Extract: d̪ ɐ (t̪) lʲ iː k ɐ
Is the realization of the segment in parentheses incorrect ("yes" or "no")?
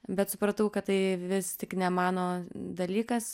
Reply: yes